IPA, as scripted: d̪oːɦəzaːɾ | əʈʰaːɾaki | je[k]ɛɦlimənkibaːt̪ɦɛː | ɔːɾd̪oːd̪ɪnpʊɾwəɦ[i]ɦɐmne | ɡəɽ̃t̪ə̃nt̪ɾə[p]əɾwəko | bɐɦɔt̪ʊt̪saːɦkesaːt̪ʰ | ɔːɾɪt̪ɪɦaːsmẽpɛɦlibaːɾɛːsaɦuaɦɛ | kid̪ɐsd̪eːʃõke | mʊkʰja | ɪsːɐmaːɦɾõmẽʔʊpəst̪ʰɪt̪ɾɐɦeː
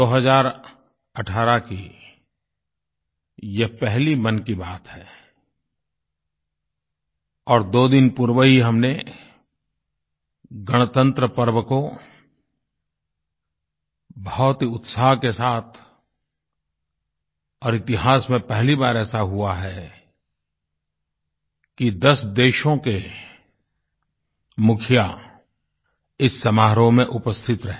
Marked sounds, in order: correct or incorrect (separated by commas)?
incorrect, correct, correct